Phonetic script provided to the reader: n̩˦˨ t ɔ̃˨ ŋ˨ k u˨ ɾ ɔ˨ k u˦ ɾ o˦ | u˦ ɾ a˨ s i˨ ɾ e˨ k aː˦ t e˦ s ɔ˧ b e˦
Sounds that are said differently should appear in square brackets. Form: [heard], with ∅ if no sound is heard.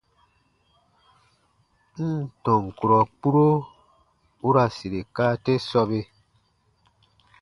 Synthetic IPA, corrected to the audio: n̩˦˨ t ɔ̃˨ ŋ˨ k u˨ ɾ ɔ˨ [k͡p] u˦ ɾ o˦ | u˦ ɾ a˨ s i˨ ɾ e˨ k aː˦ t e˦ s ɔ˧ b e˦